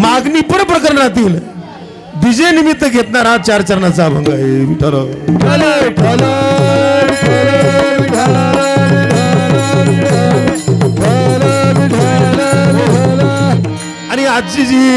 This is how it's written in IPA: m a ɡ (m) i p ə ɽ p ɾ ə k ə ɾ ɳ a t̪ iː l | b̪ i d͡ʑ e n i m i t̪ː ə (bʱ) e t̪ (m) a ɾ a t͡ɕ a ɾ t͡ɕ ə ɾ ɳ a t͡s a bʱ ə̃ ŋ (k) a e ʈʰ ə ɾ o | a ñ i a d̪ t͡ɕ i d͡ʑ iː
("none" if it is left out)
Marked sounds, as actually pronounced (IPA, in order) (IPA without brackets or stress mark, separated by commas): n, ɡʱ, n, ɡ